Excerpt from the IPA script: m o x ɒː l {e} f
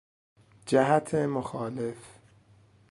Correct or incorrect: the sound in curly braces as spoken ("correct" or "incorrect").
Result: correct